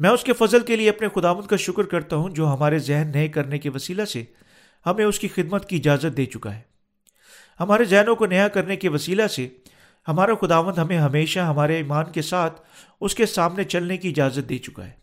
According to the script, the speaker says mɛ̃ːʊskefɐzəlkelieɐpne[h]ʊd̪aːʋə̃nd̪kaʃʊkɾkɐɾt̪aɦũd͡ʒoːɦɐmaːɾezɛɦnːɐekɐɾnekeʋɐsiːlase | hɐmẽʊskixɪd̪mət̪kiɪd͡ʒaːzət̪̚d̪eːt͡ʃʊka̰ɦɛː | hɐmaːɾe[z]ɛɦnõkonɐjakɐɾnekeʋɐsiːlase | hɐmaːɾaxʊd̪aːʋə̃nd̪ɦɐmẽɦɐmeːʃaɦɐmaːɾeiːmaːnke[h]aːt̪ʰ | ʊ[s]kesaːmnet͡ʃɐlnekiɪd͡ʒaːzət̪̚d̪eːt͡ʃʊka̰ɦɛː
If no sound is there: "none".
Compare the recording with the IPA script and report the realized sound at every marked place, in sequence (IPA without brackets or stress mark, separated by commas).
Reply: x, z, s, s